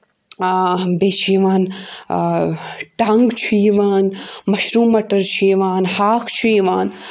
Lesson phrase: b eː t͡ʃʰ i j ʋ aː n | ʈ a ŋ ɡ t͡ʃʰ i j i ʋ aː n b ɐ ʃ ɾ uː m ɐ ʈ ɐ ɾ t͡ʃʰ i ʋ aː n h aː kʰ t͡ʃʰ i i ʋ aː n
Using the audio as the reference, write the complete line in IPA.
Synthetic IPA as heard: b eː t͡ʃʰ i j ʋ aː n | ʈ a ŋ ɡ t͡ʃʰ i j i ʋ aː n m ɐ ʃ ɾ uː m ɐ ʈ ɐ ɾ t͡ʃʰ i ʋ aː n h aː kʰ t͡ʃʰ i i ʋ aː n